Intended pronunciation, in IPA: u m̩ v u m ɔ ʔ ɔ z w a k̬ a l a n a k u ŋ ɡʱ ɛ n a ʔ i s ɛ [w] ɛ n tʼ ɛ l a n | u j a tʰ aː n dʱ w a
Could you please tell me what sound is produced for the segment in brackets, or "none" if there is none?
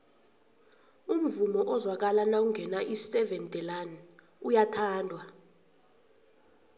v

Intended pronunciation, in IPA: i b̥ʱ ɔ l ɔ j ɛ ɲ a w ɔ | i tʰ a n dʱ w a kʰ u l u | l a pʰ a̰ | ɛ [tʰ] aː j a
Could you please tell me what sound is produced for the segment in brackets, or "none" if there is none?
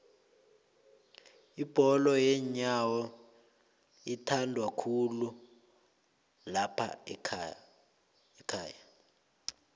kʰ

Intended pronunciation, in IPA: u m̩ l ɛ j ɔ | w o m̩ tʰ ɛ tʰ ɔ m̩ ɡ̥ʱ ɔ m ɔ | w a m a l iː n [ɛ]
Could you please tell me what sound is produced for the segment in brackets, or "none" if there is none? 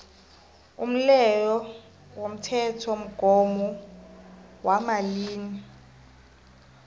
i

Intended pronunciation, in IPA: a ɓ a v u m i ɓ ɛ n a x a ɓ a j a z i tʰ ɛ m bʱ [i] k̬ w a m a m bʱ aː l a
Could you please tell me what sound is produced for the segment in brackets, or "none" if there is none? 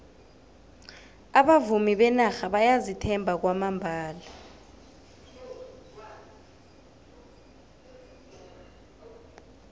a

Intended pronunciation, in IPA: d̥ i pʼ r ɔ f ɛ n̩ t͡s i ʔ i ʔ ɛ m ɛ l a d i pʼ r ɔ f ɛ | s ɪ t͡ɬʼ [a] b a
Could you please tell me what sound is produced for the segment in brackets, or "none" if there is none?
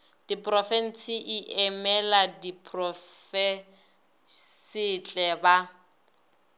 ɛ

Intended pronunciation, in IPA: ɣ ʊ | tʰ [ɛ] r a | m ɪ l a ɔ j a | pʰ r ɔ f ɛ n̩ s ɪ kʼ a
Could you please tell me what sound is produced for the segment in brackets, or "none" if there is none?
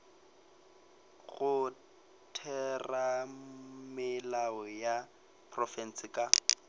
ɛ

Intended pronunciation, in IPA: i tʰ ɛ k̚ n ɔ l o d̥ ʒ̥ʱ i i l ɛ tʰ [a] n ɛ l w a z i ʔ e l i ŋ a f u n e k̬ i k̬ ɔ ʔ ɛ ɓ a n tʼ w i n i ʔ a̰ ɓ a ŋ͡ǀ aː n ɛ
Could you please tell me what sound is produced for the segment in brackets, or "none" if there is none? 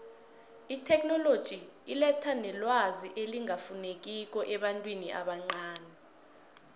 a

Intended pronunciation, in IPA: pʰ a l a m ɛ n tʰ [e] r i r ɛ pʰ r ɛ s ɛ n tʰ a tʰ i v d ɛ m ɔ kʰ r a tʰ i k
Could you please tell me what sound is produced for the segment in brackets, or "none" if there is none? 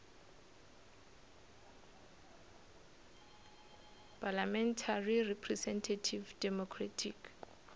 a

